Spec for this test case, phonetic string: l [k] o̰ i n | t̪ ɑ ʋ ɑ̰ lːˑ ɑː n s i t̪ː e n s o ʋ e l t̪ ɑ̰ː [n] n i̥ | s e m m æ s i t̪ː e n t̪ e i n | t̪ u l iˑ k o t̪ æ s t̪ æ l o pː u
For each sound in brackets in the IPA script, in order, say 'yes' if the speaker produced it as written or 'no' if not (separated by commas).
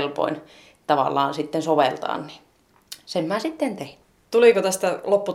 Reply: no, yes